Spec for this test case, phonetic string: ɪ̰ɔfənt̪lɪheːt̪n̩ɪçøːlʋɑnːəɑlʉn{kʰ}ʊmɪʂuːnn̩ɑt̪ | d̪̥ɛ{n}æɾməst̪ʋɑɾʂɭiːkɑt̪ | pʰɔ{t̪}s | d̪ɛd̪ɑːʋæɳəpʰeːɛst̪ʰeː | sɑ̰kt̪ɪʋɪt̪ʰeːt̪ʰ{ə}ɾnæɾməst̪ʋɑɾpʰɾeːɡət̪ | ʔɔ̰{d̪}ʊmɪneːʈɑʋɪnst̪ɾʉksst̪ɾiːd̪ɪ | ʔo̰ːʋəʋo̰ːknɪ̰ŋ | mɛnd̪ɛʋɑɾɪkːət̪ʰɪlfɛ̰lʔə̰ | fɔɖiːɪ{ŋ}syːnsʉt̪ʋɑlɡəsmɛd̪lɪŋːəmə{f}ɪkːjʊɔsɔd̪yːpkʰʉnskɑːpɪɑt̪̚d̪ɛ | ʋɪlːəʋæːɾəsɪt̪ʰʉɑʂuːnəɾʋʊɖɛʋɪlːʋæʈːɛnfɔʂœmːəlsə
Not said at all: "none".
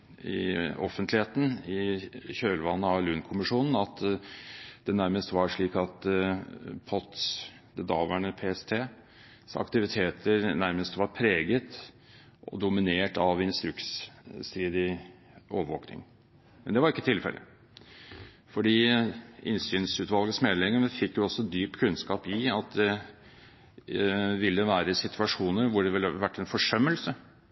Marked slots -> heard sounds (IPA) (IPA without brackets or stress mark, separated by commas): kʰ, n, t̪, ə, d̪, n, f